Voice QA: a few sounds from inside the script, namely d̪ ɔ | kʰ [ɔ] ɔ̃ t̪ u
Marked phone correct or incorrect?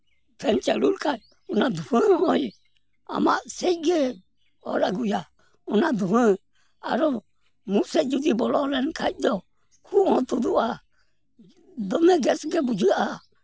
incorrect